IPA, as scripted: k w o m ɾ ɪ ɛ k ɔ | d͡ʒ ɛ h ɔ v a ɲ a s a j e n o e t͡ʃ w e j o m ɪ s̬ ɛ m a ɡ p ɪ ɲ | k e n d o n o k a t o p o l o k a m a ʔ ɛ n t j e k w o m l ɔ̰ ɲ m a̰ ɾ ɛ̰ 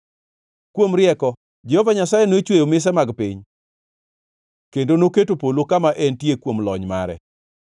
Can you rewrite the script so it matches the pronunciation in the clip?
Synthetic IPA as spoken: k w o m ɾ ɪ ɛ k ɔ | d͡ʒ ɛ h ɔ v a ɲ a s a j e n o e t͡ʃ w e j o m ɪ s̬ ɛ m a ɡ p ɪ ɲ | k e n d o n o k e t o p o l o k a m a ʔ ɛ n t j e k w o m l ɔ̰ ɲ m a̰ ɾ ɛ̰

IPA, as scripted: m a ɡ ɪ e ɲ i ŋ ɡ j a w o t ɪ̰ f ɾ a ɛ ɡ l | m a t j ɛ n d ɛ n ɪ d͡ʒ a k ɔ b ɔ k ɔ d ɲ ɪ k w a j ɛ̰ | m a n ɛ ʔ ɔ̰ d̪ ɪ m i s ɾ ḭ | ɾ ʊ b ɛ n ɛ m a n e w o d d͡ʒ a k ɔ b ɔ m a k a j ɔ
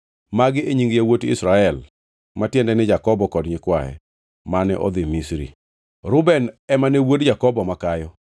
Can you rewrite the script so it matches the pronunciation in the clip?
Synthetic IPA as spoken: m a ɡ ɪ e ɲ i ŋ ɡ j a w o t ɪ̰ s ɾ a ɛ l | m a t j ɛ n d ɛ n ɪ d͡ʒ a k ɔ b ɔ k ɔ d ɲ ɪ k w a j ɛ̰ | m a n ɛ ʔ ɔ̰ d̪ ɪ m i s ɾ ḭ | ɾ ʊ b ɛ n ɛ m a n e w o d d͡ʒ a k ɔ b ɔ m a k a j ɔ

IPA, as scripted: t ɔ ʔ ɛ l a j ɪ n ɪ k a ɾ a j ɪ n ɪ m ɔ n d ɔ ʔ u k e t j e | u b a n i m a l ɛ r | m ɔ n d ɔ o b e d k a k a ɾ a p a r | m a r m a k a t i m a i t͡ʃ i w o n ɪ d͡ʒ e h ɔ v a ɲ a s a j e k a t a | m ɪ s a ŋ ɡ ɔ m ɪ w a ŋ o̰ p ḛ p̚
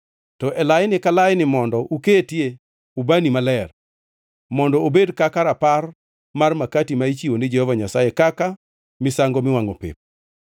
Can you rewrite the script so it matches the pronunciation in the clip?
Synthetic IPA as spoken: t ɔ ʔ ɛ l a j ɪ n ɪ k a l a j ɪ n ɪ m ɔ n d ɔ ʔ u k e t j e | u b a n i m a l ɛ r | m ɔ n d ɔ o b e d k a k a ɾ a p a r | m a r m a k a t i m a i t͡ʃ i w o n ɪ d͡ʒ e h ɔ v a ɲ a s a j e k a k a | m ɪ s a ŋ ɡ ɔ m ɪ w a ŋ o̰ p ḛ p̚

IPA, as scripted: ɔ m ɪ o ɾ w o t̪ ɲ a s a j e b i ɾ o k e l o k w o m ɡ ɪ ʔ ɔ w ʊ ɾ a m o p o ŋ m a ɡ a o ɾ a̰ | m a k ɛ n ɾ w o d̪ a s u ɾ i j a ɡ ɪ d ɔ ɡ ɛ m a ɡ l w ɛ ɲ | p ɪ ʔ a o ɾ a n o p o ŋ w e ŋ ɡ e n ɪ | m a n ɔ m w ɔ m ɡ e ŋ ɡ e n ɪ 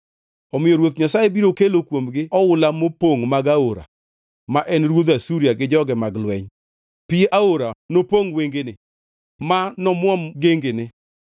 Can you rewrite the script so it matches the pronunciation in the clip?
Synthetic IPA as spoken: ɔ m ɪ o ɾ w o t̪ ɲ a s a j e b i ɾ o k e l o k w o m ɡ ɪ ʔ ɔ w ʊ l a m o p o ŋ m a ɡ a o ɾ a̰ | m a ʔ ɛ n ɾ w o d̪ a s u ɾ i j a ɡ ɪ d͡ʒ ɔ ɡ ɛ m a ɡ l w ɛ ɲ | p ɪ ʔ a o ɾ a n o p o ŋ w e ŋ ɡ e n ɪ | m a n ɔ m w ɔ m ɡ e ŋ ɡ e n ɪ

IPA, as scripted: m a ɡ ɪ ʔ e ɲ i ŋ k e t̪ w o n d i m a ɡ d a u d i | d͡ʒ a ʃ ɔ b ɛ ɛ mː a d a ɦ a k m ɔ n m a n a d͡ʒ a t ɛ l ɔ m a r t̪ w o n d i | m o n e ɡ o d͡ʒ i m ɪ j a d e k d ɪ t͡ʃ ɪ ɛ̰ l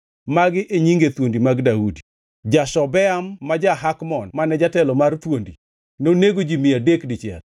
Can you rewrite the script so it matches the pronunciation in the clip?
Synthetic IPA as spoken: m a ɡ ɪ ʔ e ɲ i ŋ ɡ e t̪ w o n d i m a ɡ d a u d i | d͡ʒ a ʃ ɔ b ɛ a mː a d͡ʒ a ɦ a k m ɔ n m a n ɛ d͡ʒ a t ɛ l ɔ m a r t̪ w o n d i | n o n e ɡ o d͡ʒ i m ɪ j a d e k d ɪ t͡ʃ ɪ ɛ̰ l

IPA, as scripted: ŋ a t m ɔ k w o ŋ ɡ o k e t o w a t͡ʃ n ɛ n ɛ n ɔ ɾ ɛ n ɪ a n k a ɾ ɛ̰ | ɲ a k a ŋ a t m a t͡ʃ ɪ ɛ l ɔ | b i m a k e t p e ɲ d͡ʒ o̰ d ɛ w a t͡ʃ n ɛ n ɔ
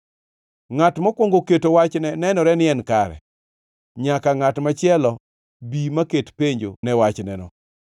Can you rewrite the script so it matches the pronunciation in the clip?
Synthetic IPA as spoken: ŋ a t m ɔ k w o ŋ ɡ o k e t o w a t͡ʃ n ɛ n ɛ n ɔ ɾ ɛ n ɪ ɛ n k a ɾ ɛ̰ | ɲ a k a ŋ a t m a t͡ʃ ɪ ɛ l ɔ | b i m a k e t p e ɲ d͡ʒ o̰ n ɛ w a t͡ʃ n ɛ n ɔ

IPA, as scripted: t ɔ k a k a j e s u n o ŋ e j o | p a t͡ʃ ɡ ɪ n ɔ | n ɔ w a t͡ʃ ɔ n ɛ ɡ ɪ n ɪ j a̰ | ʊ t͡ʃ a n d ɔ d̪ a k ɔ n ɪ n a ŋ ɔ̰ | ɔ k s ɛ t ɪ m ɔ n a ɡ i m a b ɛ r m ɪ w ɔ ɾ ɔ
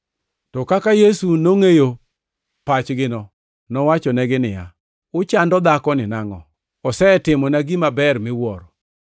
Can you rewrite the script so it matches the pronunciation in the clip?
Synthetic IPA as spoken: t ɔ k a k a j e s u n o ŋ e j o | p a t͡ʃ ɡ ɪ n ɔ | n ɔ w a t͡ʃ ɔ n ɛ ɡ ɪ n ɪ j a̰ | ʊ t͡ʃ a n d ɔ d̪ a k ɔ n ɪ n a ŋ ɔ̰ | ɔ s ɛ t ɪ m ɔ n a ɡ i m a b ɛ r m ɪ w ɔ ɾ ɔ

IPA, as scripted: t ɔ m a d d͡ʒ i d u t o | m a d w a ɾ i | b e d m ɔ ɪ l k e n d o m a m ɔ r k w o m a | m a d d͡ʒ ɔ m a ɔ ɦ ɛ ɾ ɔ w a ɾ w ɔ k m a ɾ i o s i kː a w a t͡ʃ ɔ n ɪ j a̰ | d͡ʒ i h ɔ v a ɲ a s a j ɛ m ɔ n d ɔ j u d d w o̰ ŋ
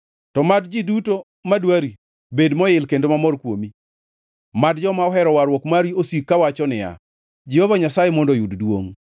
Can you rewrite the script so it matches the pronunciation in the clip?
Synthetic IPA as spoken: t ɔ m a d d͡ʒ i d u t o | m a d w a ɾ i | b e d m ɔ ɪ l k e n d o m a m ɔ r k w o m i | m a d d͡ʒ ɔ m a ɔ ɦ ɛ ɾ ɔ w a ɾ w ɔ k m a ɾ i o s i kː a w a t͡ʃ ɔ n ɪ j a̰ | d͡ʒ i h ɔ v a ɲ a s a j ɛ m ɔ n d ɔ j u d d w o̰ ŋ

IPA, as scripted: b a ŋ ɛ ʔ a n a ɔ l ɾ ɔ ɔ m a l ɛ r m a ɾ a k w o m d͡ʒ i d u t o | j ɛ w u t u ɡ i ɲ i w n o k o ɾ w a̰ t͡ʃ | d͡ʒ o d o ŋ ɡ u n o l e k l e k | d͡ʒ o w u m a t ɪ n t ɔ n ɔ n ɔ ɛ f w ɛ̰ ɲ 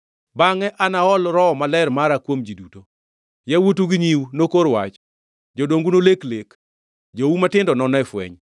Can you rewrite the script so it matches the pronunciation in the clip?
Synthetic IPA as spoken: b a ŋ ɛ ʔ a n a ɔ l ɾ ɔ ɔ m a l ɛ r m a ɾ a k w o m d͡ʒ i d u t o | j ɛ w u t u ɡ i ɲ i w n o k o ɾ w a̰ t͡ʃ | d͡ʒ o d o ŋ ɡ u n o l e k l e k | d͡ʒ o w u m a t ɪ n d ɔ n ɔ n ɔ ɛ f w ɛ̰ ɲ

